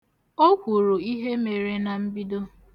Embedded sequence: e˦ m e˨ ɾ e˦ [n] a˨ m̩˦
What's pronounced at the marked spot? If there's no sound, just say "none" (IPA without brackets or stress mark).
n